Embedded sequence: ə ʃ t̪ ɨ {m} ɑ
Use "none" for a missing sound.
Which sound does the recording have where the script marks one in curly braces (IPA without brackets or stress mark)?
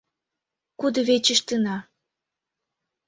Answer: n